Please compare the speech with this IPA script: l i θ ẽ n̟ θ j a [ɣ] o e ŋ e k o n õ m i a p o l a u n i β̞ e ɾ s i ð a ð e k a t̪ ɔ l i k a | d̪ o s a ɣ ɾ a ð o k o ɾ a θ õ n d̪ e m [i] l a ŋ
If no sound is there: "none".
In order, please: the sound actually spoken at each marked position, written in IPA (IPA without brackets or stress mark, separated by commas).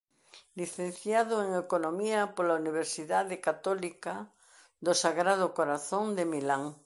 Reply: ð, i